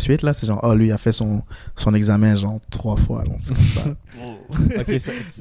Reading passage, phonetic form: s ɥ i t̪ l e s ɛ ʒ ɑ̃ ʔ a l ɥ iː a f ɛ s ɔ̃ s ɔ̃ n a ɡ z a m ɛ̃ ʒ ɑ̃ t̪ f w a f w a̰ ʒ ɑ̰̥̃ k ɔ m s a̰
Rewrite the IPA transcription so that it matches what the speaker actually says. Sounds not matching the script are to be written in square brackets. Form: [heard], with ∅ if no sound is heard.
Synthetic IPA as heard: s ɥ i t̪ l [a] s ɛ ʒ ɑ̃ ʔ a l ɥ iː a f ɛ s ɔ̃ s ɔ̃ n [ɛ] ɡ z a m ɛ̃ ʒ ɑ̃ t̪ [χ] w a f w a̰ ʒ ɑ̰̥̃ k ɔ m s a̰